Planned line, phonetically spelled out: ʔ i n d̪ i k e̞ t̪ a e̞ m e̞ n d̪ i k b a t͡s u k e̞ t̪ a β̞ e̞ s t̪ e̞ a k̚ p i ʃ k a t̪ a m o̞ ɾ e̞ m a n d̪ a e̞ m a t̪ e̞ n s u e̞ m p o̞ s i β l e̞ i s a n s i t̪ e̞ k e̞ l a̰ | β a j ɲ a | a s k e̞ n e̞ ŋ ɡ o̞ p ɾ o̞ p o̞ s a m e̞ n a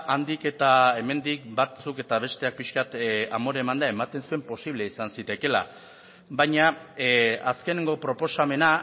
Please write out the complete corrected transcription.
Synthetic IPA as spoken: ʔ a n d̪ i k e̞ t̪ a e̞ m e̞ n d̪ i k b a t͡s u k e̞ t̪ a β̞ e̞ s t̪ e̞ a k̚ p i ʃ k a t̪ a m o̞ ɾ e̞ m a n d̪ a e̞ m a t̪ e̞ n s u e̞ m p o̞ s i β l e̞ i s a n s i t̪ e̞ k e̞ l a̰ | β a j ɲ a | a s k e̞ n e̞ ŋ ɡ o̞ p ɾ o̞ p o̞ s a m e̞ n a

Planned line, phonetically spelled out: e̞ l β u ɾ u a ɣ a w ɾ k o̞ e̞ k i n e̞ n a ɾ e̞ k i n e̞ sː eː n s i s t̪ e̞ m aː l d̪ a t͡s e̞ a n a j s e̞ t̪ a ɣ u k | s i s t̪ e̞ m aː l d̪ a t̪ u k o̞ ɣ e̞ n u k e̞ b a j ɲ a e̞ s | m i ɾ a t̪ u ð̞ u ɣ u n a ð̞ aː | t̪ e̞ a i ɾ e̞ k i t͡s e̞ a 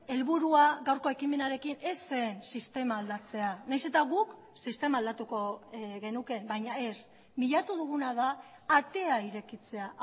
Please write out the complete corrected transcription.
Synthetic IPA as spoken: e̞ l β u ɾ u a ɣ a w ɾ k o̞ e̞ k i m e̞ n a ɾ e̞ k i n e̞ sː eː n s i s t̪ e̞ m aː l d̪ a t͡s e̞ a n a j s e̞ t̪ a ɣ u k | s i s t̪ e̞ m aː l d̪ a t̪ u k o̞ ɣ e̞ n u k e̞ b a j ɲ a e̞ s | m i ʎ a t̪ u ð̞ u ɣ u n a ð̞ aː | t̪ e̞ a i ɾ e̞ k i t͡s e̞ a

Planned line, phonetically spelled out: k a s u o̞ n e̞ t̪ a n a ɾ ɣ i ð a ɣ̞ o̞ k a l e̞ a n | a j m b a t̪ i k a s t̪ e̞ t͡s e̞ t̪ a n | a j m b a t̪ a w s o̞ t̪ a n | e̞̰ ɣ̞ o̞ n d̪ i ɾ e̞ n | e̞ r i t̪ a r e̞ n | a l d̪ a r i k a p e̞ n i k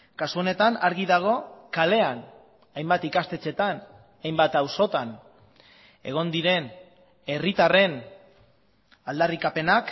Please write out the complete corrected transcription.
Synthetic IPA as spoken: k a s u o̞ n e̞ t̪ a n a ɾ ɣ i ð a ɣ̞ o̞ k a l e̞ a n | a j m b a t̪ i k a s t̪ e̞ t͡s e̞ t̪ a n | a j m b a t̪ a w s o̞ t̪ a n | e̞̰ ɣ̞ o̞ n d̪ i ɾ e̞ n | e̞ r i t̪ a r e̞ n | a l d̪ a r i k a p e̞ n a k

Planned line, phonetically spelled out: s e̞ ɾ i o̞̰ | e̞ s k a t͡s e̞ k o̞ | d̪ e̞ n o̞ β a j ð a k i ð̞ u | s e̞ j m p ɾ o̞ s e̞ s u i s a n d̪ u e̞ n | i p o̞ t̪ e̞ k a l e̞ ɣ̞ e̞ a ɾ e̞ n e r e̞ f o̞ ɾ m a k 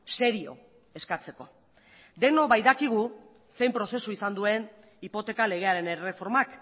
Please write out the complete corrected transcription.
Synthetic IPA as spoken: s e̞ ɾ i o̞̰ | e̞ s k a t͡s e̞ k o̞ | d̪ e̞ n o̞ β a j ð a k i ɣ̞ u | s e̞ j m p ɾ o̞ s e̞ s u i s a n d̪ u e̞ n | i p o̞ t̪ e̞ k a l e̞ ɣ̞ e̞ a ɾ e̞ n e r e̞ f o̞ ɾ m a k

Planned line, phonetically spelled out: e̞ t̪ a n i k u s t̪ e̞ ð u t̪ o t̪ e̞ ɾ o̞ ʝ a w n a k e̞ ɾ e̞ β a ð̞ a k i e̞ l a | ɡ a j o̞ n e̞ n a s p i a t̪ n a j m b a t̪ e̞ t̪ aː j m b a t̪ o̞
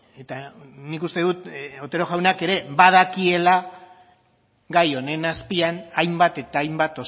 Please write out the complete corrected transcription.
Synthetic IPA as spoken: e̞ t̪ a n i k u s t̪ e̞ ð u t̪ o t̪ e̞ ɾ o̞ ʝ a w n a k e̞ ɾ e̞ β a ð̞ a k i e̞ l a | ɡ a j o̞ n e̞ n a s p i a n a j m b a t̪ e̞ t̪ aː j m b a t̪ o̞

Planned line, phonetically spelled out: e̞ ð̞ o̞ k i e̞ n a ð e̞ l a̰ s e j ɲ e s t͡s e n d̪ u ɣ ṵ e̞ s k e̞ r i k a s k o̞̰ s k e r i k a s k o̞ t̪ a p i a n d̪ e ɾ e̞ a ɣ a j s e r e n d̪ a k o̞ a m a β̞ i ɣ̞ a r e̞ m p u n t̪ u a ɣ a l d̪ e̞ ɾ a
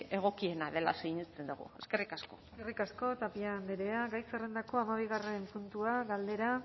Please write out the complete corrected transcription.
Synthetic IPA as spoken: e̞ ɣ̞ o̞ k i e̞ n a ð e̞ l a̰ s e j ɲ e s t͡s e n d̪ u ɣ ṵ e̞ s k e̞ r i k a s k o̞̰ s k e r i k a s k o̞ t̪ a p i a n d̪ e ɾ e̞ a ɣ a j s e r e n d̪ a k o̞ a m a β̞ i ɣ̞ a r e̞ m p u n t̪ u a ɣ a l d̪ e̞ ɾ a

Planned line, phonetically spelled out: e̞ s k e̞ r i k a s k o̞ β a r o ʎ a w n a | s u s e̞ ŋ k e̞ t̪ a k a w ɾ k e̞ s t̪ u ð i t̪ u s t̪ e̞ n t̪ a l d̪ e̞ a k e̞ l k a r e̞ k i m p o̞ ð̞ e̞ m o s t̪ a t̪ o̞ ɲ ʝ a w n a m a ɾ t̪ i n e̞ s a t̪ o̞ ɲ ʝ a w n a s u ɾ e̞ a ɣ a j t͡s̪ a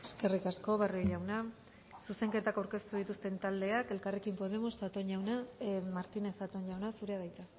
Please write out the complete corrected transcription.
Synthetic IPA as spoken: e̞ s k e̞ r i k a s k o̞ β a r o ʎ a w n a | s u s e̞ ŋ k e̞ t̪ a k a w ɾ k e̞ s t̪ u ð i t̪ u s t̪ e̞ n t̪ a l d̪ e̞ a k e̞ l k a r e̞ k i m p o̞ ð̞ e̞ m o s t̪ a t̪ o̞ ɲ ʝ a w n a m a ɾ t̪ i n e̞ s a t̪ o̞ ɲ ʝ a w n a s u ɾ e̞ a ð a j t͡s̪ a

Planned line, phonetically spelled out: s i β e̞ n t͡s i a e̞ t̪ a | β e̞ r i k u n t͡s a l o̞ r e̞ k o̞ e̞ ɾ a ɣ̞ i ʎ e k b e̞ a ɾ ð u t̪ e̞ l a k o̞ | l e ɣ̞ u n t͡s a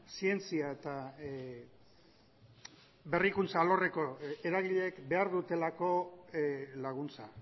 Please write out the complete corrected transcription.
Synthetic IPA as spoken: s i e̞ n t͡s i a e̞ t̪ a | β e̞ r i k u n t͡s a l o̞ r e̞ k o̞ e̞ ɾ a ɣ̞ i ʎ e k b e̞ a ɾ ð u t̪ e̞ l a k o̞ | l a ɣ̞ u n t͡s a

